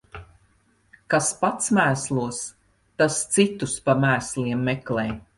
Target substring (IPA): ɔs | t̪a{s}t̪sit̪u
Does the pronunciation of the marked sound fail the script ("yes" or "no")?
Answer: no